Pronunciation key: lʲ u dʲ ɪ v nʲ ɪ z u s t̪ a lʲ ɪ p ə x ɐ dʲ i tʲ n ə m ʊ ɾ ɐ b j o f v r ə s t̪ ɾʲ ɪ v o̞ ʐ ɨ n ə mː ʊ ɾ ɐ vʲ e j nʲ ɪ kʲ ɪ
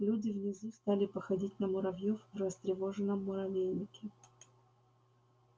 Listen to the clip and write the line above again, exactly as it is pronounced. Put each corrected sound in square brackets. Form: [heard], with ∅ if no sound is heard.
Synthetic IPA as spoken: lʲ u dʲ ɪ v nʲ ɪ z u s t̪ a lʲ ɪ p ə x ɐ dʲ i tʲ n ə m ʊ ɾ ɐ [v] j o f v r ə s t̪ ɾʲ ɪ v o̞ ʐ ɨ n ə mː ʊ ɾ ɐ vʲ e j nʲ ɪ kʲ ɪ